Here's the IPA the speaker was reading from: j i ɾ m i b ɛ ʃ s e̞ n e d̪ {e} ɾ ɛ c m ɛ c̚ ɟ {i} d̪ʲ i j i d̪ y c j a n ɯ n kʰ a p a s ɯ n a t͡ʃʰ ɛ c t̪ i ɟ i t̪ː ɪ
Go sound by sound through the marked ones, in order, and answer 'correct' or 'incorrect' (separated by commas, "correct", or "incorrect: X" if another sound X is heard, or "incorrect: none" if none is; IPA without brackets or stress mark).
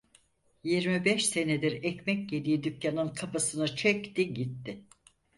incorrect: i, incorrect: e